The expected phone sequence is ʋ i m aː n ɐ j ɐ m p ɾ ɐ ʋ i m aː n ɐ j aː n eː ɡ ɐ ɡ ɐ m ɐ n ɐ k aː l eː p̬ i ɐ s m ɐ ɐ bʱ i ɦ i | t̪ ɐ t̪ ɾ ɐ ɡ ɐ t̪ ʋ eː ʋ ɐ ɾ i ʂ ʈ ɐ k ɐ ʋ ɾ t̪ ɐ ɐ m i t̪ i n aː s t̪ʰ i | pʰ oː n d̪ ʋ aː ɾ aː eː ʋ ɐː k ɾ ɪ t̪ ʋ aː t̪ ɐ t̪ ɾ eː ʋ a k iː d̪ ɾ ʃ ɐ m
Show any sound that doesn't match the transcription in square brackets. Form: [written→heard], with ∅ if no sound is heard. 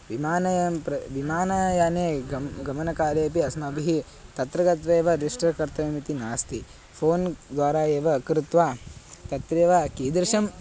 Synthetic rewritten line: ʋ i m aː n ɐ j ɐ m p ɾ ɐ ʋ i m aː n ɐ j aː n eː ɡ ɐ ɡ ɐ m ɐ n ɐ k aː l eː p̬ i ɐ s m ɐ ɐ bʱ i ɦ i | t̪ ɐ t̪ ɾ ɐ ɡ ɐ t̪ ʋ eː ʋ ɐ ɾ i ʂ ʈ ɐ k ɐ [ʋ→∅] ɾ t̪ ɐ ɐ m i t̪ i n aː s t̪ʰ i | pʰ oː n d̪ ʋ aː ɾ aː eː ʋ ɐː k ɾ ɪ t̪ ʋ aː t̪ ɐ t̪ ɾ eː ʋ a k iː d̪ ɾ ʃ ɐ m